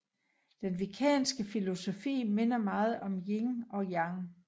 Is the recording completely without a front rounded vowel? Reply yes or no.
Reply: yes